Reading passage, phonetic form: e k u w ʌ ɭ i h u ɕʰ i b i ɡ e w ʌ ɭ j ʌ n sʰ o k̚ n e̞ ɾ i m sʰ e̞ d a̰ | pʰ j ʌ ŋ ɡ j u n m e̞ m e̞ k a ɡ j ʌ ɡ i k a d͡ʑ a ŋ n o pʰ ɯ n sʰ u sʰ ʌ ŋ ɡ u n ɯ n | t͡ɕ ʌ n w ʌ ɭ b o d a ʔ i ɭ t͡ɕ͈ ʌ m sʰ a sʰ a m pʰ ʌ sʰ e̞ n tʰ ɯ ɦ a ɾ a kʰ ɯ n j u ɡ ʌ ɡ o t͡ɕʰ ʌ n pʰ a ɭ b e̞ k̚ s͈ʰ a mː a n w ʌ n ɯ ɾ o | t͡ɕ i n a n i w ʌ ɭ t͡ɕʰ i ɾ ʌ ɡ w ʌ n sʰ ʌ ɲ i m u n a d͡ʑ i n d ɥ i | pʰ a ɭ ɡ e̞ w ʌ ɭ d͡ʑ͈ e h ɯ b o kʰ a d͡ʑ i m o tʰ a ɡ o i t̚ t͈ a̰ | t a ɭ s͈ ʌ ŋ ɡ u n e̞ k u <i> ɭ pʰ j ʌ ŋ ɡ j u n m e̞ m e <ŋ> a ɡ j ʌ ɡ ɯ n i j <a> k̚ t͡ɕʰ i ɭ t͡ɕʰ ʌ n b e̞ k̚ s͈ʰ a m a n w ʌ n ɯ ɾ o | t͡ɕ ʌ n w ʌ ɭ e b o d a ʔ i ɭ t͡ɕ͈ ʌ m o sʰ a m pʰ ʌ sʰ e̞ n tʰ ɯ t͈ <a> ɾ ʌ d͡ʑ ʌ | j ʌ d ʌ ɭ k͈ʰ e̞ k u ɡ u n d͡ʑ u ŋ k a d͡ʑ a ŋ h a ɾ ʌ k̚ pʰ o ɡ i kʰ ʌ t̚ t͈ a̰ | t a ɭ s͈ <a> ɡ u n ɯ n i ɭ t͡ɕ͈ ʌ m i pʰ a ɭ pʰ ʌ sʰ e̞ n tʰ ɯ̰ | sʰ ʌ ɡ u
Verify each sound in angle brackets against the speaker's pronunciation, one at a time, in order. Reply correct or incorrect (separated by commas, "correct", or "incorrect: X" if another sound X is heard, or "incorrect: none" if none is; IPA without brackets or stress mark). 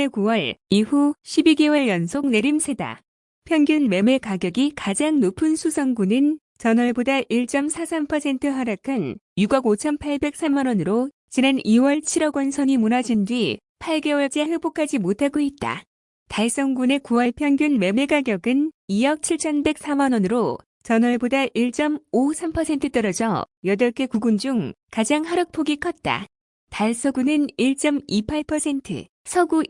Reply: incorrect: a, incorrect: ɡ, incorrect: ʌ, incorrect: ʌ, incorrect: ʌ